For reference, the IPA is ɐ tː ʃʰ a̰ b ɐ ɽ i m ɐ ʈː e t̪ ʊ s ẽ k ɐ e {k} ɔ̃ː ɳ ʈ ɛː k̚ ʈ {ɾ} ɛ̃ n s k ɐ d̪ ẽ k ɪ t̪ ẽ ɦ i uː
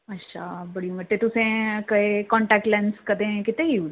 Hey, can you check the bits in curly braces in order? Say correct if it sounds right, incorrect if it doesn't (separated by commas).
correct, incorrect